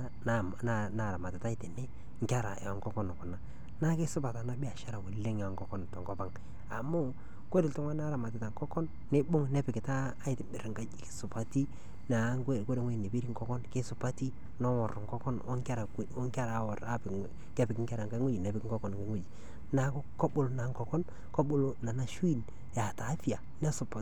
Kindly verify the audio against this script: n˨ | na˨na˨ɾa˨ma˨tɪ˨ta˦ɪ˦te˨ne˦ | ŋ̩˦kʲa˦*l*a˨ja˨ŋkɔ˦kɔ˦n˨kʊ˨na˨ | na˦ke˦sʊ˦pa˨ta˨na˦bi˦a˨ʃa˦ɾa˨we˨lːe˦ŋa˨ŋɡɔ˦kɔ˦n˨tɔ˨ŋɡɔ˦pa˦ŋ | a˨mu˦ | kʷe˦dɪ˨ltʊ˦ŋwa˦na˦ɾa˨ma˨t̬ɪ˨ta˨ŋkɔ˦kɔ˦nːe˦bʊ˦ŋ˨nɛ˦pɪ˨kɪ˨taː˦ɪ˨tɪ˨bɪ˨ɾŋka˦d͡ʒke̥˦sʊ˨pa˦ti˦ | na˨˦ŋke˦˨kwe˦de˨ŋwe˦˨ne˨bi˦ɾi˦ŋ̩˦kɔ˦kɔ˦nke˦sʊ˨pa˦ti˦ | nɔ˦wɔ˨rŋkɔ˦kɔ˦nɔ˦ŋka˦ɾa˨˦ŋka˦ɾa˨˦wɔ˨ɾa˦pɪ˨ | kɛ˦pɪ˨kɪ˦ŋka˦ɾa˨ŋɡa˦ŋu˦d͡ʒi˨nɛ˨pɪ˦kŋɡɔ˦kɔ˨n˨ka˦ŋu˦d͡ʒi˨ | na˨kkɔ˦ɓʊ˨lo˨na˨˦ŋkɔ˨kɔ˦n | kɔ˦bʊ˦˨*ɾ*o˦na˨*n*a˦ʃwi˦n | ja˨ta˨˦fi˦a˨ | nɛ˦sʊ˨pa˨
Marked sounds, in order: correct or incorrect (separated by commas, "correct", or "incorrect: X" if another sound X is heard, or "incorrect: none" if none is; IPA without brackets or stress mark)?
incorrect: ɾ, incorrect: l, correct